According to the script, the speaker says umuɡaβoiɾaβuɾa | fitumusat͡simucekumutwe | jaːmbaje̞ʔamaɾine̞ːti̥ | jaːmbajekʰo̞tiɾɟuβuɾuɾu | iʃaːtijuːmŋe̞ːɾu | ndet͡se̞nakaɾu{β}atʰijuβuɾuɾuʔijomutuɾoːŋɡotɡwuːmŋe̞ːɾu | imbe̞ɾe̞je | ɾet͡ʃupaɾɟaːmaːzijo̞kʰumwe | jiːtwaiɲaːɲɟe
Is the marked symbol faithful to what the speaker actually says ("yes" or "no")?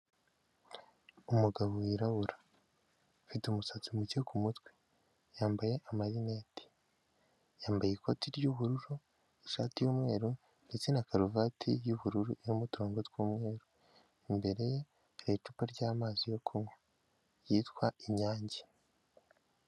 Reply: no